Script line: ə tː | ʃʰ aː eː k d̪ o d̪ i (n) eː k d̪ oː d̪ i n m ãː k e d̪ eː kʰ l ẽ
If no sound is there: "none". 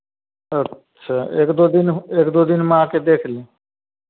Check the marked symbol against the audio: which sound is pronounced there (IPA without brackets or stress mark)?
n